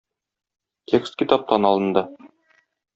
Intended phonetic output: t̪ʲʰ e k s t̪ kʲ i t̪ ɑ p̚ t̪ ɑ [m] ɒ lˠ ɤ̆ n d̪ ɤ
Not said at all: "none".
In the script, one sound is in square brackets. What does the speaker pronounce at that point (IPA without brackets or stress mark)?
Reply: n